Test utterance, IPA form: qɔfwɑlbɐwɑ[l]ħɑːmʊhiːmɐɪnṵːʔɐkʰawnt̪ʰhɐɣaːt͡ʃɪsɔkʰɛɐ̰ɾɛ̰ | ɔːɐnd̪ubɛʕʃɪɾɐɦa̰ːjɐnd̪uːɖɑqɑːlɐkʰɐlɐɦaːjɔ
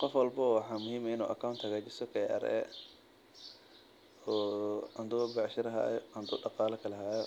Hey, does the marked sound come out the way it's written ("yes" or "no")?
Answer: no